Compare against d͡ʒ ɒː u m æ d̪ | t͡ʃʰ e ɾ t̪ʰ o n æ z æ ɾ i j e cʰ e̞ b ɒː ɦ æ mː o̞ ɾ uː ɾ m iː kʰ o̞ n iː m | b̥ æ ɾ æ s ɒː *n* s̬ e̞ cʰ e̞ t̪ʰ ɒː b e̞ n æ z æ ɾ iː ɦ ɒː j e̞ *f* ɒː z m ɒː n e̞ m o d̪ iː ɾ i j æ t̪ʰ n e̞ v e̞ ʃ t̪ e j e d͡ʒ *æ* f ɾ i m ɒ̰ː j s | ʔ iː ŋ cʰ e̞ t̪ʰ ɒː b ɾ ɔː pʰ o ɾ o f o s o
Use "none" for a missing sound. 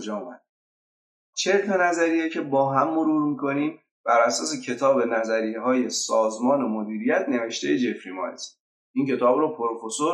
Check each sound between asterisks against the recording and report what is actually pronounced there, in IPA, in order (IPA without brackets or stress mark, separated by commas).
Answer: none, s, e